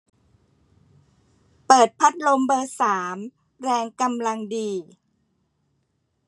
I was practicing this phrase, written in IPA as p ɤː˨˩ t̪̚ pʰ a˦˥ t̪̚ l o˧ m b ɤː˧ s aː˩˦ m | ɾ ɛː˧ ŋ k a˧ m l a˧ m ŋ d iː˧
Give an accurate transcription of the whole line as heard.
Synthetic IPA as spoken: p ɤː˨˩ t̪̚ pʰ a˦˥ t̪̚ l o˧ m b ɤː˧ s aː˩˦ m | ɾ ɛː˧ ŋ k a˧ m l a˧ ŋ d iː˧